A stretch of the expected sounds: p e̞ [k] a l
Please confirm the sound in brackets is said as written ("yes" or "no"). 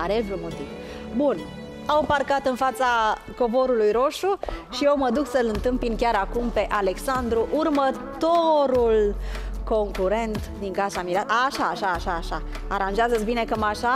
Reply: no